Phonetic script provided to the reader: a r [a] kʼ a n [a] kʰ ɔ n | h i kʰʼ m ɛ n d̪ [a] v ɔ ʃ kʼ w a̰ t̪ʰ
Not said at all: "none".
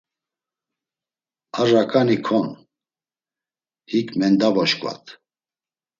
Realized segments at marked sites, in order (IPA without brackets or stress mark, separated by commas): a, i, a